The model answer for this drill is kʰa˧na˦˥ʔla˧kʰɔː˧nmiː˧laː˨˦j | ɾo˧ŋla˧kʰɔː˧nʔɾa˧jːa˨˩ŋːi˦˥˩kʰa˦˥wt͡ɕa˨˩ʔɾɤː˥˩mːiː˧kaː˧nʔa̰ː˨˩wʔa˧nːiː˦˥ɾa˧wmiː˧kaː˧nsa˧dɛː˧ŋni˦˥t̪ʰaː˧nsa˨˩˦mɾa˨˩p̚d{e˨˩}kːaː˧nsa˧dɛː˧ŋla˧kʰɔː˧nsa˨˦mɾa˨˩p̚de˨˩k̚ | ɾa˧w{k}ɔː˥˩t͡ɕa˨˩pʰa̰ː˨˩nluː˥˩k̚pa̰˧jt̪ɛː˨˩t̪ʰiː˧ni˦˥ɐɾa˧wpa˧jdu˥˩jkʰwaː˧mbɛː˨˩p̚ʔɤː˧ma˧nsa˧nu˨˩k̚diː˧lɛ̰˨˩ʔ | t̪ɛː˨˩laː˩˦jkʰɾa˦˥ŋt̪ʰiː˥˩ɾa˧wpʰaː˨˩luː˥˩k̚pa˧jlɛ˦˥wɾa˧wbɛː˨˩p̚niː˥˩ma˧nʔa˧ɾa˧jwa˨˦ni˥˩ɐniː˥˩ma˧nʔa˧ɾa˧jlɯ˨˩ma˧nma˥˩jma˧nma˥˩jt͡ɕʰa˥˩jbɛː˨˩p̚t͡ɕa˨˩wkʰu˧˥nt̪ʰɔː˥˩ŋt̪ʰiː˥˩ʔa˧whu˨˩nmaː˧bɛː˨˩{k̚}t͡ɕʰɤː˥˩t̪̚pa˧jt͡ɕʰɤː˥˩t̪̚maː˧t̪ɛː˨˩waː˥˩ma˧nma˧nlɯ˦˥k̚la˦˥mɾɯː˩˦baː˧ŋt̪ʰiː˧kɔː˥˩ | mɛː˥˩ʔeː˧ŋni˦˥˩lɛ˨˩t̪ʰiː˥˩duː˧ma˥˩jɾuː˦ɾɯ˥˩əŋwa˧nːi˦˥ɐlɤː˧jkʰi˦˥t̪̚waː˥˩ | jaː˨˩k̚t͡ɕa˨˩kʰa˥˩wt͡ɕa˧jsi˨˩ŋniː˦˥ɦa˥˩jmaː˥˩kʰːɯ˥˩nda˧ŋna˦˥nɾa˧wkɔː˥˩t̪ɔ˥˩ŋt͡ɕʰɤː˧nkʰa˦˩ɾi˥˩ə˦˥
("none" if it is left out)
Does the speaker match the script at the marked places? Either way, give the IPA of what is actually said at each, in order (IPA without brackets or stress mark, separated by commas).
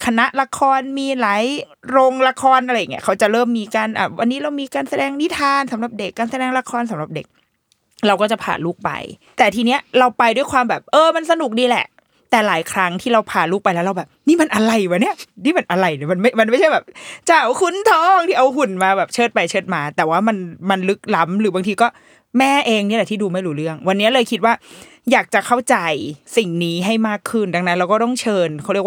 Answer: e˨˩, k, p̚